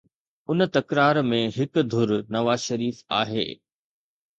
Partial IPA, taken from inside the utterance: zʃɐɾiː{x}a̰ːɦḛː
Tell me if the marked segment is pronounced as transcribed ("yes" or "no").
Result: no